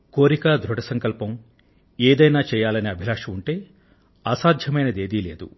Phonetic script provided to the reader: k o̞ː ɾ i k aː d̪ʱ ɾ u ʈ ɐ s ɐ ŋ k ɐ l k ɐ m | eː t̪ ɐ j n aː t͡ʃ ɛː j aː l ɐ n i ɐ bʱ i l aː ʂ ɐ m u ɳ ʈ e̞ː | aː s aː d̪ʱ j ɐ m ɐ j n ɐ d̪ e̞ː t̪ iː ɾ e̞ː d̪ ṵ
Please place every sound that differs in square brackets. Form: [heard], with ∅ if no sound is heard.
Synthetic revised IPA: k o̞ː ɾ i k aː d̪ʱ ɾ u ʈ ɐ s ɐ ŋ k ɐ l [p] ɐ m | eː [d̪] ɐ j n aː t͡ʃ ɛː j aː l ɐ n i ɐ bʱ i l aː ʂ ɐ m u ɳ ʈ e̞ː | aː s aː d̪ʱ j ɐ m ɐ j n ɐ d̪ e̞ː [d̪] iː [l] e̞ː d̪ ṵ